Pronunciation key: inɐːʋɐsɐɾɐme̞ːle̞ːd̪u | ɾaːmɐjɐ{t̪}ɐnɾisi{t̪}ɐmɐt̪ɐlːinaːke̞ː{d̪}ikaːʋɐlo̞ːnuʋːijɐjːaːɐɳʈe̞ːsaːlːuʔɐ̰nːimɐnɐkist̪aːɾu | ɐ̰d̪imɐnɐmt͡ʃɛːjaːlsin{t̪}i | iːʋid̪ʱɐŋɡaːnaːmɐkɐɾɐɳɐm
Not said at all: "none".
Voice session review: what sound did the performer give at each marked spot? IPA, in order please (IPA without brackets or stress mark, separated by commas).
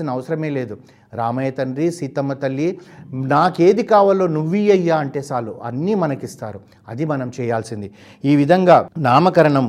t̪, t̪, d̪, d̪